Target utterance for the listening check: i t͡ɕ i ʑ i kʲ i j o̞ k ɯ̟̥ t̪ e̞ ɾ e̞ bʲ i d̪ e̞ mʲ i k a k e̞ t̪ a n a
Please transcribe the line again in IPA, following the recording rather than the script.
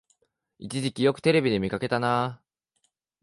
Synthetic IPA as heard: i t͡ɕ i ʑ i kʲ i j o̞ k ɯ̟̥ t̪ e̞ ɾ e̞ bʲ i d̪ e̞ mʲ i k a k e̞ t̪ a n a